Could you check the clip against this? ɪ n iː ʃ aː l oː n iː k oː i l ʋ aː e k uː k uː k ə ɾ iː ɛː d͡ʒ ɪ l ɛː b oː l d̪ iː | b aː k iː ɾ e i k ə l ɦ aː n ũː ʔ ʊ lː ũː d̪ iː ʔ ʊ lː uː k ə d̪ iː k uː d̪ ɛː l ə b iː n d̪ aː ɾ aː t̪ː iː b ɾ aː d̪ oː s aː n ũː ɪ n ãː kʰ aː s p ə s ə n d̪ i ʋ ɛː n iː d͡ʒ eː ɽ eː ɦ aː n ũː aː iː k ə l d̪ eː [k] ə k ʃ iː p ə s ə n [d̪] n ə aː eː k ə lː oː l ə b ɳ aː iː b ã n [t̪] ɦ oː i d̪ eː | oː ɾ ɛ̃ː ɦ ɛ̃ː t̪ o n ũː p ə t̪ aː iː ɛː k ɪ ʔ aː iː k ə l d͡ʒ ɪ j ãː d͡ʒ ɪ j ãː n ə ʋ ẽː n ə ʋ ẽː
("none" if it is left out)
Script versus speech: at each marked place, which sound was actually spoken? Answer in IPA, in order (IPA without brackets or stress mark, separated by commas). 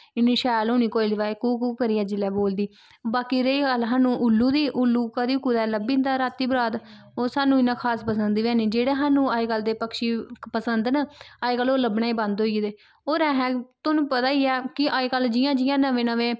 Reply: p, d̪, d̪